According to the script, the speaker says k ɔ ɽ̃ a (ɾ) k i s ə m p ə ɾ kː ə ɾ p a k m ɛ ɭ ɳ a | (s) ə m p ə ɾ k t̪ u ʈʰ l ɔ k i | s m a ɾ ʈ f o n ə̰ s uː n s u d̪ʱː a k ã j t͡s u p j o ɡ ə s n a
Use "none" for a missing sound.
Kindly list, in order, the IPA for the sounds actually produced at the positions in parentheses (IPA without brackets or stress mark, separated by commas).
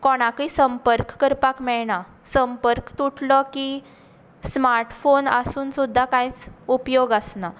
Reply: none, s